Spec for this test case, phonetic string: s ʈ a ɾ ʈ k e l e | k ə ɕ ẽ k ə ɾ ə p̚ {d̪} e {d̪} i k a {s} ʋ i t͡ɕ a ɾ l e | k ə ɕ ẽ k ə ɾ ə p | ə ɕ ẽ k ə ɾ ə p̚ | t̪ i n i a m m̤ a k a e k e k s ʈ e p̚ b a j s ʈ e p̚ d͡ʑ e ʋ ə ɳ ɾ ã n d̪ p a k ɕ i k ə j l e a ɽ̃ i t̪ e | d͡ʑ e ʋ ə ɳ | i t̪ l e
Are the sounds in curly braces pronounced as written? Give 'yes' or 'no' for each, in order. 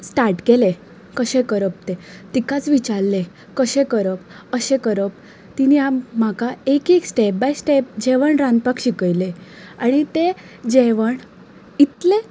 no, no, no

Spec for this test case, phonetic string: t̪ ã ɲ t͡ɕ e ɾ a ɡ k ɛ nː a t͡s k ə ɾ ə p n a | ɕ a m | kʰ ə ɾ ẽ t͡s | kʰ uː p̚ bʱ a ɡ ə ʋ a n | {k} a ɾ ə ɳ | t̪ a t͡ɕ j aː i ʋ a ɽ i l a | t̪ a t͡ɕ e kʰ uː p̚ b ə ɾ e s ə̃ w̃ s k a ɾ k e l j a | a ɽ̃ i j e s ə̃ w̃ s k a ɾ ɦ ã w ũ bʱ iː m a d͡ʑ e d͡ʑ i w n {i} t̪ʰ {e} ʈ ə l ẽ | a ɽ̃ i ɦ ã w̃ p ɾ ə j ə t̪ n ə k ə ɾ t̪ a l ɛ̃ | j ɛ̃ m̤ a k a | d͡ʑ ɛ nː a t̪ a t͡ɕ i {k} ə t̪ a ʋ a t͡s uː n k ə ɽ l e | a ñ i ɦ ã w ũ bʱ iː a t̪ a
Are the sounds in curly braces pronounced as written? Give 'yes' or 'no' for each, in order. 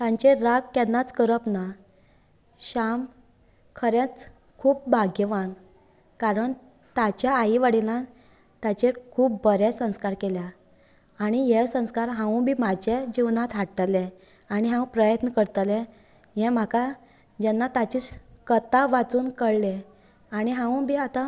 yes, no, no, yes

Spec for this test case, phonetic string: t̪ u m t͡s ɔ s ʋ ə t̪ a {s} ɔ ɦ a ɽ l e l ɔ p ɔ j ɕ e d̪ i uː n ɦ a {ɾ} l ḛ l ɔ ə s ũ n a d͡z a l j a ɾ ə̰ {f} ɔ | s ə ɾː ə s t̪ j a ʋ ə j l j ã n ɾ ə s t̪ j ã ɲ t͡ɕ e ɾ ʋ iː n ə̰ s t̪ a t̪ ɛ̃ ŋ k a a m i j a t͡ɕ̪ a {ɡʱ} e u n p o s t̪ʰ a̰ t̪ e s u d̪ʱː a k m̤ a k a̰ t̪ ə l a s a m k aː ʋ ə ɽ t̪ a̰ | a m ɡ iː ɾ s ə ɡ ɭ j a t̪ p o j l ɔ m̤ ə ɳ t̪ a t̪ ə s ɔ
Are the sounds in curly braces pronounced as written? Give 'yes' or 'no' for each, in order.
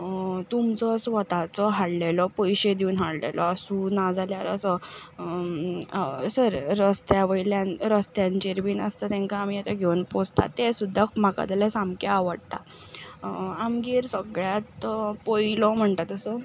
no, no, no, yes

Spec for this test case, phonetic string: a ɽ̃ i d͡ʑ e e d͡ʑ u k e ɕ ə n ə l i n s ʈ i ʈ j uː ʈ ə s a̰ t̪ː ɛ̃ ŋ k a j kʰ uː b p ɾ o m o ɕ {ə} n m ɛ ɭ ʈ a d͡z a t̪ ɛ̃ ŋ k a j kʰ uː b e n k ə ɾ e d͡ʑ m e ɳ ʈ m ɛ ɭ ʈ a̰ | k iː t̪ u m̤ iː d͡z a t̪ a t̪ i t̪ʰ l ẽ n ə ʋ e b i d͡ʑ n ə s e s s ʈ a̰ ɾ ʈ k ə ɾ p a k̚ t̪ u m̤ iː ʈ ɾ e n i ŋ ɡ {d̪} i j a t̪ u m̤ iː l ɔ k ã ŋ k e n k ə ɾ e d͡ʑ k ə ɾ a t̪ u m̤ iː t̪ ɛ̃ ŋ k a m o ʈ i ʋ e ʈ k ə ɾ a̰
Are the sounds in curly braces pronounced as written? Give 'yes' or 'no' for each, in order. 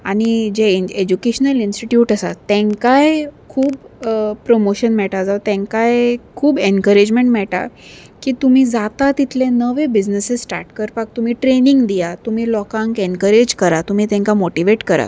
yes, yes

